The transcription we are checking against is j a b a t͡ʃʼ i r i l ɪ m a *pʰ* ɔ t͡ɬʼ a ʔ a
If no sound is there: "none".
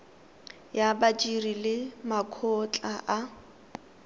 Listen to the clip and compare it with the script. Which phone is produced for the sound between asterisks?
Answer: kʰ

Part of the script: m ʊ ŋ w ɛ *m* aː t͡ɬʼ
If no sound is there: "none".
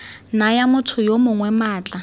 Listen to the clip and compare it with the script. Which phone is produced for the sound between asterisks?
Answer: m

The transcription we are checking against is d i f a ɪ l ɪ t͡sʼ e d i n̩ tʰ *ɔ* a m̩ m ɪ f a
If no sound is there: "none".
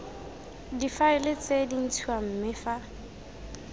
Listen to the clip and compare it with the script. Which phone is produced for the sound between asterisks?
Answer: u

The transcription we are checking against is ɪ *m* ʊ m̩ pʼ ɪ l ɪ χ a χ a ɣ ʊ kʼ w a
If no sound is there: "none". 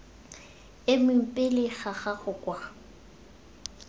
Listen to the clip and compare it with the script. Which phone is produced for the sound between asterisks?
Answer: m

